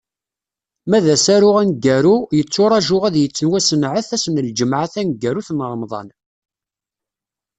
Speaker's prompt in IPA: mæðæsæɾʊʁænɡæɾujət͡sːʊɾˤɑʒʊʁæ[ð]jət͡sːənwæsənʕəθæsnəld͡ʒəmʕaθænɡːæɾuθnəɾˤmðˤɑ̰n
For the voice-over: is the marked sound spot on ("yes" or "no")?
yes